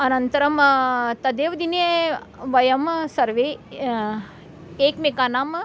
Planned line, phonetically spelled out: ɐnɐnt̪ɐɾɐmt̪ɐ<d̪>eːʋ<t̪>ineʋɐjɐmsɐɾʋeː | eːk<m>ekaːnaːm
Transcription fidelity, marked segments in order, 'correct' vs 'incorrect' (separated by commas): correct, incorrect, correct